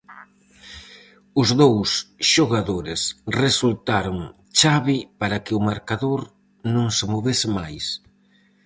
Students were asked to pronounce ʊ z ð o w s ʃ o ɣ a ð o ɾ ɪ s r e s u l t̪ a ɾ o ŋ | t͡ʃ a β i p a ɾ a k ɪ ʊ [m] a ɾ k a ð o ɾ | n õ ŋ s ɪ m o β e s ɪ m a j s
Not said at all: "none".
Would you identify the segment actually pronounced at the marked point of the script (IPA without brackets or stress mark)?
m